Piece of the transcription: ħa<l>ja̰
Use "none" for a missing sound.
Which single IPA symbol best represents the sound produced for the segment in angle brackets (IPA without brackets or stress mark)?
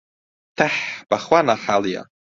l